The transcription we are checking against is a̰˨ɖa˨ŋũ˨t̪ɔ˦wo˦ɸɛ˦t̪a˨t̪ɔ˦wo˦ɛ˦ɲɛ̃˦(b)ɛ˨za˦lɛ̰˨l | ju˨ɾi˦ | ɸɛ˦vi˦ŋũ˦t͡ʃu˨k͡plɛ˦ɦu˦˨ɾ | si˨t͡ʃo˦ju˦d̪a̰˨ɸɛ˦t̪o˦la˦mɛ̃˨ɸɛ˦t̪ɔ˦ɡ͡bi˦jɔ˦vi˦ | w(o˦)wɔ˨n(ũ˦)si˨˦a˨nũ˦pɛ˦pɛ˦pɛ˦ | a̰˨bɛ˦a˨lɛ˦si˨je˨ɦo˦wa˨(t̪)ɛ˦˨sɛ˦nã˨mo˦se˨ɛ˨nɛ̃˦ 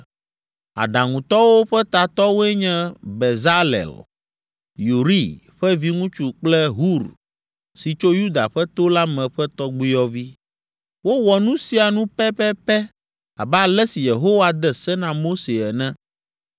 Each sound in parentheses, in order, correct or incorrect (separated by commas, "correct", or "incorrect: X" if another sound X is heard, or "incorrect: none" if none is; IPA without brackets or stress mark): correct, correct, correct, incorrect: d̪